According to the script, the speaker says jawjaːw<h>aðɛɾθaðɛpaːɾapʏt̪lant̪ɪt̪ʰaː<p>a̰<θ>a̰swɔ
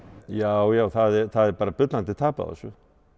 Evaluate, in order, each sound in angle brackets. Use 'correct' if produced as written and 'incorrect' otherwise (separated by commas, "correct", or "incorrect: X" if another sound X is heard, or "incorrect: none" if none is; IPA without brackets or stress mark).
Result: incorrect: θ, correct, incorrect: ð